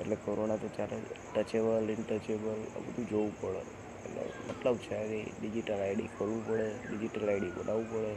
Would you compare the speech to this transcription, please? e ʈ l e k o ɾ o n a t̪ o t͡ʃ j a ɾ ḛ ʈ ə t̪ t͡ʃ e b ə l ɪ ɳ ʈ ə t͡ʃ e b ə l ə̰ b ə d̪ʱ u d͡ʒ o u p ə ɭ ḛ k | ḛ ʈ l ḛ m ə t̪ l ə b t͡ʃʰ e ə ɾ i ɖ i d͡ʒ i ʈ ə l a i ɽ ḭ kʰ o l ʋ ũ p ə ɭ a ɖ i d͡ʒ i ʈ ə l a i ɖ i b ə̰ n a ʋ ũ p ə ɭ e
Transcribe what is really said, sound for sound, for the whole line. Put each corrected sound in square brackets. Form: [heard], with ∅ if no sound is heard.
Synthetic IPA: e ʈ l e k o ɾ o n a t̪ o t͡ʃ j a ɾ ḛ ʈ ə [∅] t͡ʃ e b ə l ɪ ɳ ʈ ə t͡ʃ e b ə l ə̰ b ə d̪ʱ u d͡ʒ o u p ə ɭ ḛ [∅] | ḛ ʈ l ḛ m ə t̪ l ə b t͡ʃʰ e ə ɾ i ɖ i d͡ʒ i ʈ ə l a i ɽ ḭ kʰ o l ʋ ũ p ə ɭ [e] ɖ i d͡ʒ i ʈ ə l a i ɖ i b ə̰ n a ʋ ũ p ə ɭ e